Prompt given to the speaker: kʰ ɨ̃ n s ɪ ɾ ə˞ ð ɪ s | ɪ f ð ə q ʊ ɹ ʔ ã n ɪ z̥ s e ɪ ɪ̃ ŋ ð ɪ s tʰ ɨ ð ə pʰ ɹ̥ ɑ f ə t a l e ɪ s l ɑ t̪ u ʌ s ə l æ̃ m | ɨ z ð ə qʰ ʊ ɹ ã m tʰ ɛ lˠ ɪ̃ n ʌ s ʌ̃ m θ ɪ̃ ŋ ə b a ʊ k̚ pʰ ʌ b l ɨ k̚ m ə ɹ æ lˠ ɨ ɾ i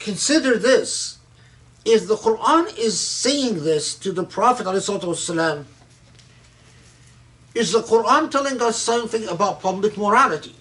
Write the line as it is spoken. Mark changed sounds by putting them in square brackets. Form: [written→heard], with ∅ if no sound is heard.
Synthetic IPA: kʰ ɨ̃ n s ɪ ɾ ə˞ ð ɪ s | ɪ f ð ə q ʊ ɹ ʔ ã n ɪ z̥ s e ɪ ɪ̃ ŋ ð ɪ s tʰ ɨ ð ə pʰ ɹ̥ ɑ f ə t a l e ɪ s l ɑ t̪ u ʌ s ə l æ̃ m | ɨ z ð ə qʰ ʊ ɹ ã [m→n] tʰ ɛ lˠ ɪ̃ [n→ŋ] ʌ s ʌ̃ m θ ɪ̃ ŋ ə b a ʊ [k̚→t̚] pʰ ʌ b l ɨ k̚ m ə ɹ æ lˠ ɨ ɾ i